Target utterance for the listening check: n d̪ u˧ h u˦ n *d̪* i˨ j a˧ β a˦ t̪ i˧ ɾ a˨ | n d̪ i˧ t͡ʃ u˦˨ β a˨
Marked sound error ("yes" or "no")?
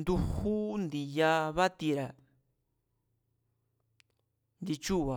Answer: no